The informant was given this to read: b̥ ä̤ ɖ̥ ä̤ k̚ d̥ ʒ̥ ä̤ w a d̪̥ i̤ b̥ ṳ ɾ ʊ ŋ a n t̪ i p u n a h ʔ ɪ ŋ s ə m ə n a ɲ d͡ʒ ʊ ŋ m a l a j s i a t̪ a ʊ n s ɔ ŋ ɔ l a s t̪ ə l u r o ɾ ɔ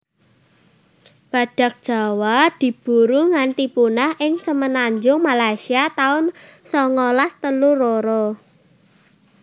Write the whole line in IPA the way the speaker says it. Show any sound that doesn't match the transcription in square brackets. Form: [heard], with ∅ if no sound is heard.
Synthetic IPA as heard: b̥ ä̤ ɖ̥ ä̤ k̚ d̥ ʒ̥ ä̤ w a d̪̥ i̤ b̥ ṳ ɾ [u] ŋ a n t̪ i p u n a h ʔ ɪ ŋ s ə m ə n a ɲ d͡ʒ ʊ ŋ m a l a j s i a t̪ a ʊ n s ɔ ŋ ɔ l a s t̪ ə l u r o ɾ ɔ